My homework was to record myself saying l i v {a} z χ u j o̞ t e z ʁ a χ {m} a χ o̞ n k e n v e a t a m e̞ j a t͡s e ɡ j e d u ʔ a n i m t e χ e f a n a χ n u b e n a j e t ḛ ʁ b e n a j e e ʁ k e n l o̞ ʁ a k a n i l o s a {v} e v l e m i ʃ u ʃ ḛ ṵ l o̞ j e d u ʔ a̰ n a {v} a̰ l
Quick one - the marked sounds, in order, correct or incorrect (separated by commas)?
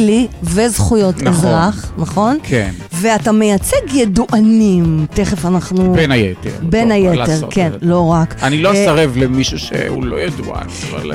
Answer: incorrect, incorrect, incorrect, correct